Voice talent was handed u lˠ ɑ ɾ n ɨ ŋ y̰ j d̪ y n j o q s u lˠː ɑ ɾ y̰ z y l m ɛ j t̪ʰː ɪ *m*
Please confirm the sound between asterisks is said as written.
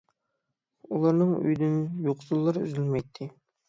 no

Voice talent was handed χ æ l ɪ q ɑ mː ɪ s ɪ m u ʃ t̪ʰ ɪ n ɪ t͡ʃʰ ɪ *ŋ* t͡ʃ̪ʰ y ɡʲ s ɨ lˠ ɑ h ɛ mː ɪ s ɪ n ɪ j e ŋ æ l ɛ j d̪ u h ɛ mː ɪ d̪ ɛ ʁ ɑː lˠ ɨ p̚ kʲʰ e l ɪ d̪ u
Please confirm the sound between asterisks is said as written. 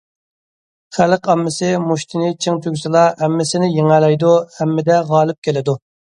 yes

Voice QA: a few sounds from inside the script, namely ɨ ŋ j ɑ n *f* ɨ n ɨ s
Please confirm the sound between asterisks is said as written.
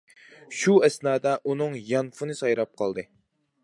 yes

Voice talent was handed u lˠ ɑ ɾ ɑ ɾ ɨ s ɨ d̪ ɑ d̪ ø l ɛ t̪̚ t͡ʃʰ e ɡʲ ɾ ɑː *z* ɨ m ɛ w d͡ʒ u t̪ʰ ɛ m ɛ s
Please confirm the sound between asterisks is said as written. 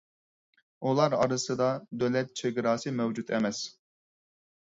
no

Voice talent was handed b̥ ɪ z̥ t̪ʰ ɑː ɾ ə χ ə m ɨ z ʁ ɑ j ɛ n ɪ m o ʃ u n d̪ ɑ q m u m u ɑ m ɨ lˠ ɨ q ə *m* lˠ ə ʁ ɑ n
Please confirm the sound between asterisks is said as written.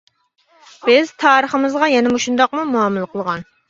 no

